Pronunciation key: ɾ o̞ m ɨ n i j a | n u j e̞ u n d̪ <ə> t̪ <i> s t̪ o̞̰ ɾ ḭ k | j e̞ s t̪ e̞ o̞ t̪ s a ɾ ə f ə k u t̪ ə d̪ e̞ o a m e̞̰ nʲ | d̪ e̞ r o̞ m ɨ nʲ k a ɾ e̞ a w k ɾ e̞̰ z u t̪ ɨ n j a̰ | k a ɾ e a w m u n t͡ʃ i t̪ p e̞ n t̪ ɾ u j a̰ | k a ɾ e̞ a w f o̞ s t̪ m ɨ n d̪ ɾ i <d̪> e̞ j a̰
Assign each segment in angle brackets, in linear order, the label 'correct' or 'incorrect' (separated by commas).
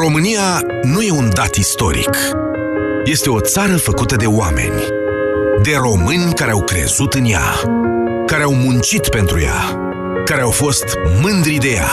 incorrect, correct, correct